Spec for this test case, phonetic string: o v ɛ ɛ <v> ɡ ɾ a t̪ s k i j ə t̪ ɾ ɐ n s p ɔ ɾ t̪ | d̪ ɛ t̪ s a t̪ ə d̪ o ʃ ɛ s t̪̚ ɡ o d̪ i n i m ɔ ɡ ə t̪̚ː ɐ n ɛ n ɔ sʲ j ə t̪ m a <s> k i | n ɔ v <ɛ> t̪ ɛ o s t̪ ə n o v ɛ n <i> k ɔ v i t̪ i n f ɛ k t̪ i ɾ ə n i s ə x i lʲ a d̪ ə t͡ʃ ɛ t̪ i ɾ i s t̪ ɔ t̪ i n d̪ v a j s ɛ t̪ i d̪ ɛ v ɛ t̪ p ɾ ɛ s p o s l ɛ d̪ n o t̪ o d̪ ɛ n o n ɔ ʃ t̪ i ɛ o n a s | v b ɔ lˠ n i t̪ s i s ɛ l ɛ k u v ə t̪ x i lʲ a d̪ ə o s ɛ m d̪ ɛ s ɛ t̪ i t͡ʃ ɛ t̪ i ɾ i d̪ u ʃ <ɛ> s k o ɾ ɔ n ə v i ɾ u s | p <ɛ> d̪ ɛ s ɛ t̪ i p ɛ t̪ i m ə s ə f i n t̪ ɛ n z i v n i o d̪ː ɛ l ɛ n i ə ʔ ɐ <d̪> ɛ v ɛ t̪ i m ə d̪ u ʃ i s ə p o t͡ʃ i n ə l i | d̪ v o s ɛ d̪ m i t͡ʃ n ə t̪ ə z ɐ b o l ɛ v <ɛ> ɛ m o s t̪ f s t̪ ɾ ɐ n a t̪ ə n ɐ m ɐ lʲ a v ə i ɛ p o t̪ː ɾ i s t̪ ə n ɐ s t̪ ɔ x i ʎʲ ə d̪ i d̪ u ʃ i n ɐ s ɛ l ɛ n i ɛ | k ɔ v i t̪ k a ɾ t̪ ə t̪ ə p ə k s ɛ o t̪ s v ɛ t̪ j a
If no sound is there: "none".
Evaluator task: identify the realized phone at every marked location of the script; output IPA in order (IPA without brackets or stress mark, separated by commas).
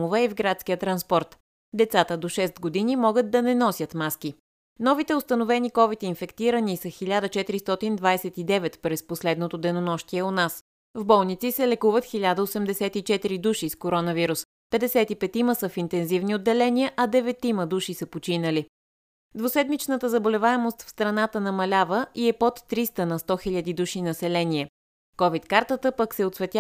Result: v, s, i, i, i, ɛ, d̪, a